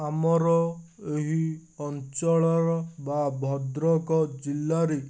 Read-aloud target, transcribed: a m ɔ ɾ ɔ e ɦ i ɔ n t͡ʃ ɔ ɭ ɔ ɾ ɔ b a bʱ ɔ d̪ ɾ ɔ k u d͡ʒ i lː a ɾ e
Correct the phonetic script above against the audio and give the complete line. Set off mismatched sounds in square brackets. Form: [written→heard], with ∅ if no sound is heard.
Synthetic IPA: a m ɔ ɾ ɔ e ɦ i ɔ n t͡ʃ ɔ ɭ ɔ ɾ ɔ b a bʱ ɔ d̪ ɾ ɔ k [u→ɔ] d͡ʒ i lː a ɾ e